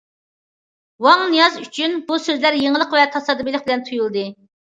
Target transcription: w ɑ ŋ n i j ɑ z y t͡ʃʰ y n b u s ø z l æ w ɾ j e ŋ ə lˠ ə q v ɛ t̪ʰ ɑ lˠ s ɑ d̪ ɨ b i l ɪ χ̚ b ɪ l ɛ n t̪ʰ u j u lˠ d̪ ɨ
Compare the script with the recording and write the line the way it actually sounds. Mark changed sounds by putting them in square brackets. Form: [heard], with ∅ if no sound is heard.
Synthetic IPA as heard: w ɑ ŋ n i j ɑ z y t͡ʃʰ y n b u s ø z l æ [∅] ɾ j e ŋ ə lˠ ə q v ɛ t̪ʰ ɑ [∅] s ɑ d̪ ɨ b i l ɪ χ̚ b ɪ l ɛ n t̪ʰ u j u lˠ d̪ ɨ